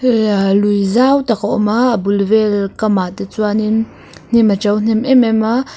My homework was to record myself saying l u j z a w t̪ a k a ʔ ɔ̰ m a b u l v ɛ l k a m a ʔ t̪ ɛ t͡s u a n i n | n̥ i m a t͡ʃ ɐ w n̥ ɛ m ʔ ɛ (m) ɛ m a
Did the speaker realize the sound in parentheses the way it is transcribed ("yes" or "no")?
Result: yes